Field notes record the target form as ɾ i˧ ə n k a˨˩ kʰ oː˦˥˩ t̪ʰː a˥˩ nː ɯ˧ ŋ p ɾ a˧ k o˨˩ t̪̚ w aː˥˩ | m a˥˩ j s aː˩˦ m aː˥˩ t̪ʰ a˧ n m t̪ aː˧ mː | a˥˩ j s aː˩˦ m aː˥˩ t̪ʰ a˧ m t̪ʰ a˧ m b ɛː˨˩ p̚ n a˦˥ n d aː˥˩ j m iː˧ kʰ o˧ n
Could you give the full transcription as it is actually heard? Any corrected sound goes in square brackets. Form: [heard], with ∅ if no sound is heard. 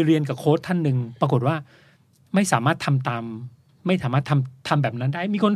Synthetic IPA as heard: ɾ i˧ ə n k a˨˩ kʰ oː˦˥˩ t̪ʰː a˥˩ nː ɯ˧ ŋ p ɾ a˧ k o˨˩ t̪̚ w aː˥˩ | m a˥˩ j s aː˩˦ m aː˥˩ t̪ʰ a˧ [∅] m t̪ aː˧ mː | a˥˩ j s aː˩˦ m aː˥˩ t̪ʰ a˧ m t̪ʰ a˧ m b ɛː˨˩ p̚ n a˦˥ n d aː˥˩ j m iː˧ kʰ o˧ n